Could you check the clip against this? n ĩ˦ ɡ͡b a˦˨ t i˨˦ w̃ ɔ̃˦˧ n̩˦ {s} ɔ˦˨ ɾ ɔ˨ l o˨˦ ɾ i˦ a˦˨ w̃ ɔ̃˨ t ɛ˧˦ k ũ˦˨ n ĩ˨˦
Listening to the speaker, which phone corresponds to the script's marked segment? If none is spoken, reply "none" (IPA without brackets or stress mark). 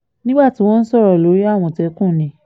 s